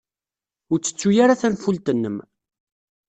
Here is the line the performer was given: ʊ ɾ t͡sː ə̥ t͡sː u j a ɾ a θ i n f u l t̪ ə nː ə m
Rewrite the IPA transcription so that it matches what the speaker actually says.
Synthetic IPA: ʊ ɾ t͡sː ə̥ t͡sː u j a ɾ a θ æ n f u l t̪ ə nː ə m